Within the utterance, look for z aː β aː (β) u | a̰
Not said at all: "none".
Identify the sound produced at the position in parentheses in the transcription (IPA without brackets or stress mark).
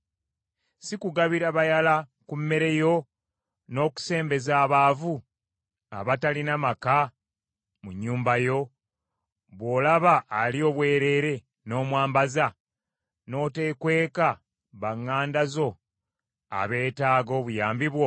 v